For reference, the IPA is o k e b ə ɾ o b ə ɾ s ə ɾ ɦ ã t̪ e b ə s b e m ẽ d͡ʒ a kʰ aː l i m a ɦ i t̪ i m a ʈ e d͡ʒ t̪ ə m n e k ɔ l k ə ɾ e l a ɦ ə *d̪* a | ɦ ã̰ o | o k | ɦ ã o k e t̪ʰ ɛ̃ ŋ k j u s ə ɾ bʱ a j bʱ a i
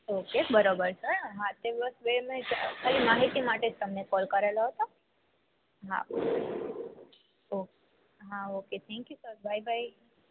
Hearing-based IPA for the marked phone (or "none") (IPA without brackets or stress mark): t̪